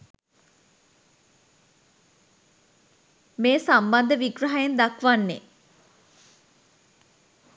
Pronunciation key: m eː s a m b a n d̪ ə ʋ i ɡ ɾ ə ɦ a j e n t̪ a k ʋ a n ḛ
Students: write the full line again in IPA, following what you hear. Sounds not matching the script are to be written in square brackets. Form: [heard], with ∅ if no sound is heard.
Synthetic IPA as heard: m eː s a m b a n d̪ ə ʋ i ɡ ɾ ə ɦ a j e n [d̪] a k ʋ a [nː] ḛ